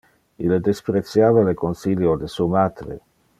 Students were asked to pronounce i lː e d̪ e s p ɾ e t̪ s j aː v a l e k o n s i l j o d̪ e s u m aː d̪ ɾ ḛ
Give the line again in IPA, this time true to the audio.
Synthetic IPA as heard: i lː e d̪ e s p ɾ e t̪ s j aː v a l e k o n s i l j o d̪ e s u m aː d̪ ɾ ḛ